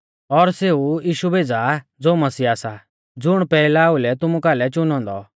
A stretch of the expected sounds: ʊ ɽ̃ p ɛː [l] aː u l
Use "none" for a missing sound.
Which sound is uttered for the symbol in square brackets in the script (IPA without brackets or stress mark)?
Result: l